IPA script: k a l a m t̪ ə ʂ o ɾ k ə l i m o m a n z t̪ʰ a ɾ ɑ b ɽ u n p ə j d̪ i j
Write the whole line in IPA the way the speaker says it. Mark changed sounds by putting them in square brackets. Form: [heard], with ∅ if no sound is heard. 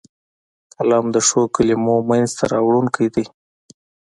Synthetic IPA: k a l [ɑ] m [d̪] ə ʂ o [∅] k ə l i m o m a n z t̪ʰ a ɾ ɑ [w] ɽ u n [k] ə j d̪ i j